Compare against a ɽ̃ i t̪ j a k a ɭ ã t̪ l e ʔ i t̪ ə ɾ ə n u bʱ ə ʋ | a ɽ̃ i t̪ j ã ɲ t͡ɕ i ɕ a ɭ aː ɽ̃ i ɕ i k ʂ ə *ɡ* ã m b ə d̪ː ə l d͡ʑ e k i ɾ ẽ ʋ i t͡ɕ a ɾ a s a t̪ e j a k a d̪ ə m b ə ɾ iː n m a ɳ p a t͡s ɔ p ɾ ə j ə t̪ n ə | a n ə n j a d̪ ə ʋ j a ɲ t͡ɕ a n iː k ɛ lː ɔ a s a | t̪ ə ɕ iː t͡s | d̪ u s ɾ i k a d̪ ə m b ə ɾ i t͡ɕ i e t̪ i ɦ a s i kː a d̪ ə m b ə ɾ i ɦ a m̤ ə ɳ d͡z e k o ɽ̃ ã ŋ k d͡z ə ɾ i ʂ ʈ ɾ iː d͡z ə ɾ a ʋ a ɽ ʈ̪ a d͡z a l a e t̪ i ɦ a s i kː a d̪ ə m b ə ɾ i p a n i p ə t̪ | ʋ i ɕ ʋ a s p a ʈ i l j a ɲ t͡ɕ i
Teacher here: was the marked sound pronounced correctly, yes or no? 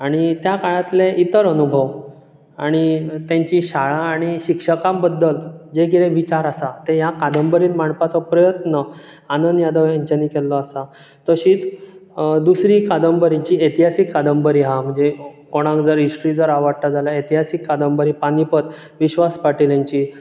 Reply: no